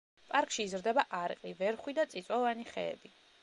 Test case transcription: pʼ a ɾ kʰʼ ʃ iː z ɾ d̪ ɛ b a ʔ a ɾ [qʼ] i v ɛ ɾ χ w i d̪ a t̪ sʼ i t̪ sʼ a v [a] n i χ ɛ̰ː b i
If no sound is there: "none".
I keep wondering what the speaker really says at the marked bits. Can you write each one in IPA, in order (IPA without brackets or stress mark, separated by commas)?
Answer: qʼ, a